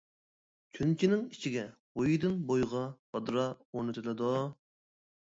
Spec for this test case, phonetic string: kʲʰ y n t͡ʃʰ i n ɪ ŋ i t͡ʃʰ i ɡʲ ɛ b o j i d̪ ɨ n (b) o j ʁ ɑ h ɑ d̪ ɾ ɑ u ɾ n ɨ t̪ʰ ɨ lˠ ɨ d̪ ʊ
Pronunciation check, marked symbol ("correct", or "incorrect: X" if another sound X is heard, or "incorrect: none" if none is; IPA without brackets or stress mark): correct